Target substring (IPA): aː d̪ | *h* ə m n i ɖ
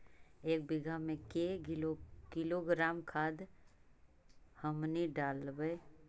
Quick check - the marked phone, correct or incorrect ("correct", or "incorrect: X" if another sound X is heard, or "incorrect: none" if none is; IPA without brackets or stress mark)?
correct